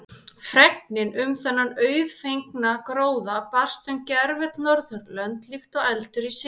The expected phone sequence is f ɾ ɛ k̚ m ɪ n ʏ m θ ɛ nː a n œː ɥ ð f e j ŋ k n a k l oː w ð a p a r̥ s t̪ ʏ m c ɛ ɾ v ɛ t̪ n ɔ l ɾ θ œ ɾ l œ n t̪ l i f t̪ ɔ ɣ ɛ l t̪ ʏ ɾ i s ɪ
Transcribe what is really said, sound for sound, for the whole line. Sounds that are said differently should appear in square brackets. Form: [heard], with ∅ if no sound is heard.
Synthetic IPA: f ɾ ɛ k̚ [n] ɪ n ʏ m θ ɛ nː a n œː ɥ ð f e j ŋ k n a k [ɾ] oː w ð a p a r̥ s t̪ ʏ m c ɛ ɾ v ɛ t̪ n ɔ [∅] ɾ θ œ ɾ l œ n t̪ l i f t̪ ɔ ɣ ɛ l t̪ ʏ ɾ i s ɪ